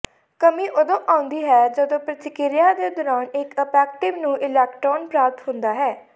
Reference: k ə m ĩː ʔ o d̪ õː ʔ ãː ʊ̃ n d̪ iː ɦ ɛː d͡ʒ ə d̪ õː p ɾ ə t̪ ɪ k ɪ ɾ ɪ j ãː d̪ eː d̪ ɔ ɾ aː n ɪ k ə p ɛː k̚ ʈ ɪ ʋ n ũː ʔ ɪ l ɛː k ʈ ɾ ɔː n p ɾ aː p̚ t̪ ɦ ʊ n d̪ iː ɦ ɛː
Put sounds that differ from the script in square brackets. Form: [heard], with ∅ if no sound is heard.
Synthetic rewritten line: k ə m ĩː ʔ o d̪ õː ʔ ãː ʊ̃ n d̪ iː ɦ ɛː d͡ʒ ə d̪ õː p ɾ ə t̪ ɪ k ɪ ɾ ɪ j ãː d̪ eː d̪ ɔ ɾ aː n ɪ k ə p ɛː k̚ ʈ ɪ ʋ n ũː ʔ ɪ l ɛː k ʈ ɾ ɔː n p ɾ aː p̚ t̪ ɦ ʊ n d̪ [aː] ɦ ɛː